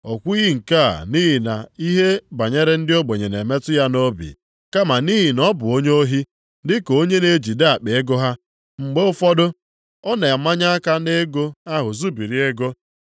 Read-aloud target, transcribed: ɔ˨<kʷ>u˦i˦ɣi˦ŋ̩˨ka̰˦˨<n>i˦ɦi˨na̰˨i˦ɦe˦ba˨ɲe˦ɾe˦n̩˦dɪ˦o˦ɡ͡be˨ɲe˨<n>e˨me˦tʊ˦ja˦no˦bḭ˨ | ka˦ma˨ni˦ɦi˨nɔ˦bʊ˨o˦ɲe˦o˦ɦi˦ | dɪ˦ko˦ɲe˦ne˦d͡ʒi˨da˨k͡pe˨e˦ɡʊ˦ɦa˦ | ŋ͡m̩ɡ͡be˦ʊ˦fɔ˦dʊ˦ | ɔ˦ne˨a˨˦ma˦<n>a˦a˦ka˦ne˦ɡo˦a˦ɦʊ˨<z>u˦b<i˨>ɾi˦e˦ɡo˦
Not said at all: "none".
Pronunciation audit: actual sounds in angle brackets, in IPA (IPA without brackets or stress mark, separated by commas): kʷ, n, n, ɲ, z, i˨